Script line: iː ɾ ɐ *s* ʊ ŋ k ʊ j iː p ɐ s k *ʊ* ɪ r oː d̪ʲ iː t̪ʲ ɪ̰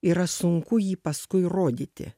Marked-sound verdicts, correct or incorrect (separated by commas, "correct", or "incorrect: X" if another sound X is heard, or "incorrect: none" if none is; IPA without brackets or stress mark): correct, correct